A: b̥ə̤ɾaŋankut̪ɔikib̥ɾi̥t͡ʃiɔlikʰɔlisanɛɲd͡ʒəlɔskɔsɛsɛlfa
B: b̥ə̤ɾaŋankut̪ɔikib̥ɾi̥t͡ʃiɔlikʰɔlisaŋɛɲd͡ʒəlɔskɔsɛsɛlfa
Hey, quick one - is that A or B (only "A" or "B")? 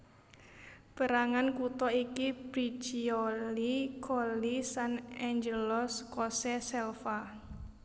A